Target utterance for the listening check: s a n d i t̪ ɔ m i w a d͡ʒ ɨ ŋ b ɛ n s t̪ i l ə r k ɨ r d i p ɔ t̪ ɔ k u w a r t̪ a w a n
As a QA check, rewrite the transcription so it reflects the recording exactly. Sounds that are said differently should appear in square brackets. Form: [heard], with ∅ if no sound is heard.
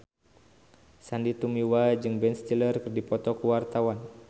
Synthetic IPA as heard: s a n d i t̪ [u] m i w a d͡ʒ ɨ ŋ b ɛ n s t̪ i l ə r k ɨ r d i p ɔ t̪ ɔ k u w a r t̪ a w a n